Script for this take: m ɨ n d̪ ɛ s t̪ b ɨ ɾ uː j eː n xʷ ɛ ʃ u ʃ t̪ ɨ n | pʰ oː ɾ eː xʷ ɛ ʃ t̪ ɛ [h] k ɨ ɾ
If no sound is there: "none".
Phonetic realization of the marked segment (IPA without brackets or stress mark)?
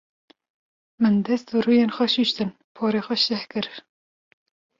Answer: h